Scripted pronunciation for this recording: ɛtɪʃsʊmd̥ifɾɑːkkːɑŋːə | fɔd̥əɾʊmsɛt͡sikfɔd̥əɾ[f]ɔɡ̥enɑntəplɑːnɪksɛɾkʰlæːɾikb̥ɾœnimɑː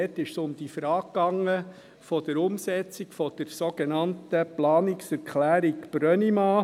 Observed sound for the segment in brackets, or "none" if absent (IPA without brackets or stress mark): s